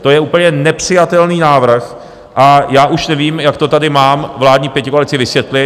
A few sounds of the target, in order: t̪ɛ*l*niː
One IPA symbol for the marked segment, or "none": l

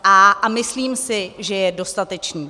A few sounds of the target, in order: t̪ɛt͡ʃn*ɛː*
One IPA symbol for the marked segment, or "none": iː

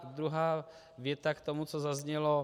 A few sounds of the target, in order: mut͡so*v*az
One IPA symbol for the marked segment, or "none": z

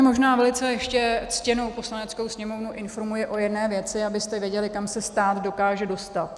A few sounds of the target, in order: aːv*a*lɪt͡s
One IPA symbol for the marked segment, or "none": ɛ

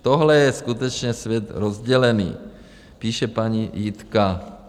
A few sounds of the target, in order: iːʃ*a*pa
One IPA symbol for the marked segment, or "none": ɛ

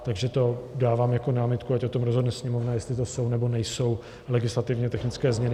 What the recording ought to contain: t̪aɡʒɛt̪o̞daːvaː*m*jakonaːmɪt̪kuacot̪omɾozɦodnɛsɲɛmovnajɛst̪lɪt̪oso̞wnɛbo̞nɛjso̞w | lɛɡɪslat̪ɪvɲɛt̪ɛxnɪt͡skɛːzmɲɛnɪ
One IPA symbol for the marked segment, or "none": m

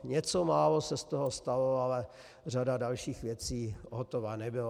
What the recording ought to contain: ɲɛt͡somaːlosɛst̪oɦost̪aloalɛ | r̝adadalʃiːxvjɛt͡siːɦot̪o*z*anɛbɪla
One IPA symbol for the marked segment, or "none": v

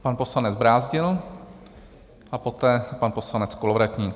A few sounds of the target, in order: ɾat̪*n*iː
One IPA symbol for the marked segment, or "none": ɲ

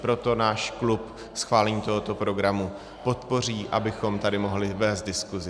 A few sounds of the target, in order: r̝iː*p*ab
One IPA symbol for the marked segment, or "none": ʔ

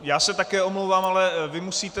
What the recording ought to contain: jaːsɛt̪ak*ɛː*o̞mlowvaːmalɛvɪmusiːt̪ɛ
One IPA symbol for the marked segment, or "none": ɛː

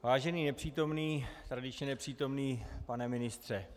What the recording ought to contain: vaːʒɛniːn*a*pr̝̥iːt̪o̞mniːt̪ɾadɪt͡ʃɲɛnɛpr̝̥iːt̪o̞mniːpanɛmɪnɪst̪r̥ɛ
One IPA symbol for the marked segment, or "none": ɛ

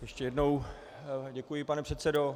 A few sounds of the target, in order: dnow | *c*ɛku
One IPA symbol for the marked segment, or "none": ɟ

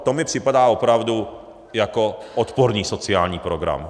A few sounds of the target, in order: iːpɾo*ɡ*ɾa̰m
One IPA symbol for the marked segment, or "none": ɡ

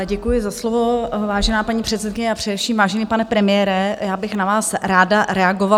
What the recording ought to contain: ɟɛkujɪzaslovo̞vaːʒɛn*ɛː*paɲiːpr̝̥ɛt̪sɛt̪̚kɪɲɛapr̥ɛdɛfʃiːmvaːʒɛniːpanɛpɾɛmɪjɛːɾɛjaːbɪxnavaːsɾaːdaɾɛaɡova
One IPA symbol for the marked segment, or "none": aː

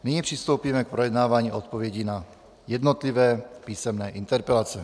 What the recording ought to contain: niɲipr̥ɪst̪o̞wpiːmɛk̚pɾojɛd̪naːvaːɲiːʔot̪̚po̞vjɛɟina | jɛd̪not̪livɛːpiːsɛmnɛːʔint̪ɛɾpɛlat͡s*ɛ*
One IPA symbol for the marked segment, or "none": ɛ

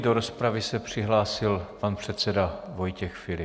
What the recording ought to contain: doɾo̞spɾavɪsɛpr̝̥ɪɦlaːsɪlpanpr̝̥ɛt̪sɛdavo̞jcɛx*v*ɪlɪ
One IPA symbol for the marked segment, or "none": f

